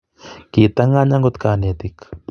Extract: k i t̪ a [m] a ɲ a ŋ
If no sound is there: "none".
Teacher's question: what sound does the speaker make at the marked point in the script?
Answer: ŋ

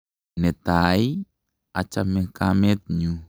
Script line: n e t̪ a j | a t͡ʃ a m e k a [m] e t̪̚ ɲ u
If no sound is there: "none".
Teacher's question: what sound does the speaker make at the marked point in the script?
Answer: m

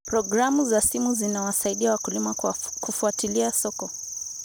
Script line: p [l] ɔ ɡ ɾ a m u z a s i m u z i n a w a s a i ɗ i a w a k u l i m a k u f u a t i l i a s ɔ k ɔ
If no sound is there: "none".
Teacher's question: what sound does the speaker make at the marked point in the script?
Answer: ɾ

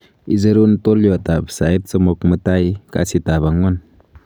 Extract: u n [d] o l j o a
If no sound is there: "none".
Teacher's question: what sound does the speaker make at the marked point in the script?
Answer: t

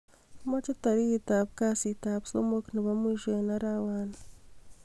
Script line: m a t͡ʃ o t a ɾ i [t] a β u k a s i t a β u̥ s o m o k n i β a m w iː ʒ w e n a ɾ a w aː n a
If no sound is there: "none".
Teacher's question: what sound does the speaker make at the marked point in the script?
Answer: t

